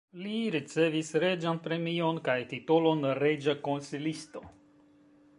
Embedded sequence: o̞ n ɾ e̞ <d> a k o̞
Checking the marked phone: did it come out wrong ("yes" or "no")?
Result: yes